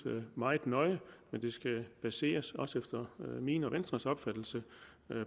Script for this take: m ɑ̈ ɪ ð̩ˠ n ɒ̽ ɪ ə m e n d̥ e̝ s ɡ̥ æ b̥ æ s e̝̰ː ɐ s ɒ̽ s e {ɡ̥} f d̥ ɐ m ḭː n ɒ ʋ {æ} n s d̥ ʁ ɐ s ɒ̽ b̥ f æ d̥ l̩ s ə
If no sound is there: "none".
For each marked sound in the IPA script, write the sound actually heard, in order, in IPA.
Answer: none, e

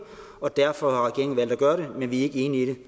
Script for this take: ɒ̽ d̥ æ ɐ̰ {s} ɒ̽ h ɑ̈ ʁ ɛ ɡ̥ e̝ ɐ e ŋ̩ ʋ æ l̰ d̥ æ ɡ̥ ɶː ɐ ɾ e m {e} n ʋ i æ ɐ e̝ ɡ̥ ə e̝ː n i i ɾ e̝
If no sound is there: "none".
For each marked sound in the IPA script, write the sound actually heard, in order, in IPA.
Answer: f, e

